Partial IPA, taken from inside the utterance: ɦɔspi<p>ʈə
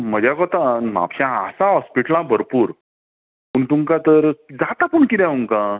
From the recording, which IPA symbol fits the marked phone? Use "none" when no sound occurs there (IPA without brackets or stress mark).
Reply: none